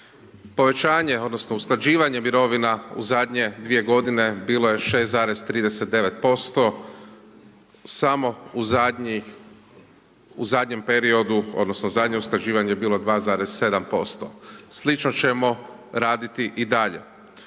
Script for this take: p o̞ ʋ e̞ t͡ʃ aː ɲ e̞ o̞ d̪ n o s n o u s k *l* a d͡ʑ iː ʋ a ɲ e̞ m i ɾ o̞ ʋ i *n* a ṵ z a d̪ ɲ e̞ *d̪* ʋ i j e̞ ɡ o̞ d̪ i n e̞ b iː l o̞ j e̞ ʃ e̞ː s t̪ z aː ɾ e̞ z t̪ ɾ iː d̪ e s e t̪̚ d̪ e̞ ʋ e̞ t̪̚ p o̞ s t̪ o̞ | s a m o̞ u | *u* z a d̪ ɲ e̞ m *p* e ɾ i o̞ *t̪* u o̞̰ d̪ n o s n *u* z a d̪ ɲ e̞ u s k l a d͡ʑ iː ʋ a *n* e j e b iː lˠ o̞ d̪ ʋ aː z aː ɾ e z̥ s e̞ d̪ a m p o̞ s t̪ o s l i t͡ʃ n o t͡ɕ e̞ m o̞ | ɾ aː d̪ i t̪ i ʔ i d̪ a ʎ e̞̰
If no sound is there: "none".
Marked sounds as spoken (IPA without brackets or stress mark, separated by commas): l, n, d̪, u, p, d̪, o, ɲ